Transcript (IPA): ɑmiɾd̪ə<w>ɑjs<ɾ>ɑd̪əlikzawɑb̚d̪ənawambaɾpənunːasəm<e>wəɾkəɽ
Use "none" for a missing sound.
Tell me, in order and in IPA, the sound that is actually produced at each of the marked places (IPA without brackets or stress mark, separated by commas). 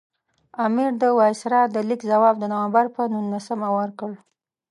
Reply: w, ɾ, a